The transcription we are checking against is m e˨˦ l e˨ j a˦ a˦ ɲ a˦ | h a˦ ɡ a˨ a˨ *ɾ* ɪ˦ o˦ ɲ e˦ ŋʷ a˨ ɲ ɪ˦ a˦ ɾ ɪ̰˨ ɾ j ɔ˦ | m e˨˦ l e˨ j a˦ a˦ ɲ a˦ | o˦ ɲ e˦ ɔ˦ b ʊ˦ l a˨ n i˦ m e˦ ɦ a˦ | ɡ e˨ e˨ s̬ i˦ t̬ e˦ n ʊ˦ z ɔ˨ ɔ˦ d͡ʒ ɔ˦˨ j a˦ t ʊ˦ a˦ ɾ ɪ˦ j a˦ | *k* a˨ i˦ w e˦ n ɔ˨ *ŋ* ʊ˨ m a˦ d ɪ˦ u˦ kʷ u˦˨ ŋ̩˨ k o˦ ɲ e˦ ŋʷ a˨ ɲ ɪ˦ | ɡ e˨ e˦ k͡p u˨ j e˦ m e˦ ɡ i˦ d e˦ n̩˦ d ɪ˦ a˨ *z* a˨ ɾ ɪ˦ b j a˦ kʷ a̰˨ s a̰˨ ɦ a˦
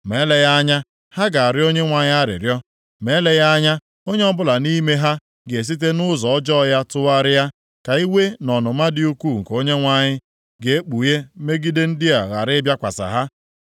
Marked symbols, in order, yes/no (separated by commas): yes, yes, no, no